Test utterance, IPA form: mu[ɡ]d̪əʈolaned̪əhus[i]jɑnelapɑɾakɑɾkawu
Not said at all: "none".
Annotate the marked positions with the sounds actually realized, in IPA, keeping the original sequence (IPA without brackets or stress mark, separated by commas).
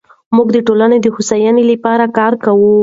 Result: ɡ, a